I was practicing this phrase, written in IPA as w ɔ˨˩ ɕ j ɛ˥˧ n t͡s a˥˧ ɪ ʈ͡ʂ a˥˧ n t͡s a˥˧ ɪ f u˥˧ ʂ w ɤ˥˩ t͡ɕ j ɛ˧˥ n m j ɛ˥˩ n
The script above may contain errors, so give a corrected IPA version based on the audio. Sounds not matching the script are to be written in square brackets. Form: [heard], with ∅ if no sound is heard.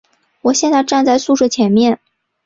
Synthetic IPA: w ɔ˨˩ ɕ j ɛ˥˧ n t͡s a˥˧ ɪ ʈ͡ʂ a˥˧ n t͡s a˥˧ ɪ [s] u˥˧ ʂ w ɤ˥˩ [t͡ɕʰ] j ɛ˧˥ n m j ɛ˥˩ n